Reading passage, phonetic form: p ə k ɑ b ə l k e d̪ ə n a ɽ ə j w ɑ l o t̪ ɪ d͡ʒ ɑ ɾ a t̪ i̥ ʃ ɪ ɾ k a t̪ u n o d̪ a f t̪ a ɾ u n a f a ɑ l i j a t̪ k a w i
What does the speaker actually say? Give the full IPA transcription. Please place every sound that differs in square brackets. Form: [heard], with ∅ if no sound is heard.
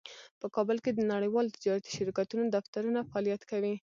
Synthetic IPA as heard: p ə k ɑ b ə l k e d̪ ə n a ɽ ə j w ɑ l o t̪ ɪ d͡ʒ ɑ ɾ a t̪ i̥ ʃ ɪ ɾ k a t̪ u n o d̪ a f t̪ a ɾ u n a f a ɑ l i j a t̪ k a w i